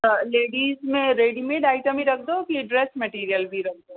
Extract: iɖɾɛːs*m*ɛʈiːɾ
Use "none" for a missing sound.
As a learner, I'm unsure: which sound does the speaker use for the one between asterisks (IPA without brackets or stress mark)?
m